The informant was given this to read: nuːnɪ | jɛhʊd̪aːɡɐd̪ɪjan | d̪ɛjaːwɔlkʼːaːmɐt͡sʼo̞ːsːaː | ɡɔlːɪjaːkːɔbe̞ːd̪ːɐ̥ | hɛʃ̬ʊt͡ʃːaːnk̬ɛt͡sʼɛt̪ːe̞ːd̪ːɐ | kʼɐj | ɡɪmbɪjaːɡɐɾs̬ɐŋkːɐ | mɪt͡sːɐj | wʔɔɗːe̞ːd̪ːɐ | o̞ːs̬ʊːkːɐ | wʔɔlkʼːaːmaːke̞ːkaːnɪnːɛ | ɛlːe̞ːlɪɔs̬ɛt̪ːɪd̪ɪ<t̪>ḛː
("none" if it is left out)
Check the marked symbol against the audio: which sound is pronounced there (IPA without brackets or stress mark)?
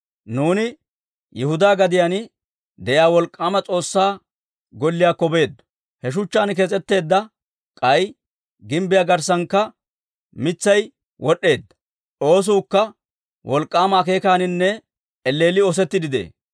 d̪